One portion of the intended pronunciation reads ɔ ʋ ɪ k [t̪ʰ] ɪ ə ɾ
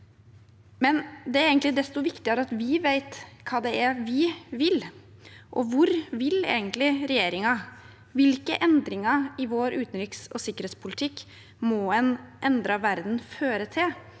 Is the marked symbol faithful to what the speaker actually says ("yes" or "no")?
no